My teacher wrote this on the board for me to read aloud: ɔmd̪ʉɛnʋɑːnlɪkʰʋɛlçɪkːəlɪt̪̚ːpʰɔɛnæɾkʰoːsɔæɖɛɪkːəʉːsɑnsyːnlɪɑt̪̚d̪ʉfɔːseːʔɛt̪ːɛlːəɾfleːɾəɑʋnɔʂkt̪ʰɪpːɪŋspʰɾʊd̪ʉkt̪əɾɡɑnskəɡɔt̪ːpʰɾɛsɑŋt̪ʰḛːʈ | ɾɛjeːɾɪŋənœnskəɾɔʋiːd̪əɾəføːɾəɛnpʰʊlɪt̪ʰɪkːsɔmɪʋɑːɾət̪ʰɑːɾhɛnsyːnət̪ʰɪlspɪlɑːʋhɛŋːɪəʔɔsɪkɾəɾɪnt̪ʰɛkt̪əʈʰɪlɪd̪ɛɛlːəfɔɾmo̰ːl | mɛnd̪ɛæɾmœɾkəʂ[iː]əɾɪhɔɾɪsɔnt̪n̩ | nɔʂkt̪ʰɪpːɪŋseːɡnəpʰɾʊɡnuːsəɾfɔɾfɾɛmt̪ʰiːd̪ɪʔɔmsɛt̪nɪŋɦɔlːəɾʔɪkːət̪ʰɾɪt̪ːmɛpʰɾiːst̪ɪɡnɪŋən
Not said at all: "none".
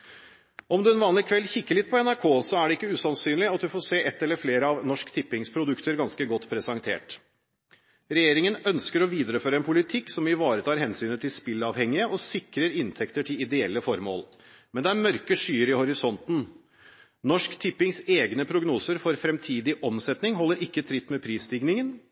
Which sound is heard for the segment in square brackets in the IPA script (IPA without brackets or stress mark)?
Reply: yː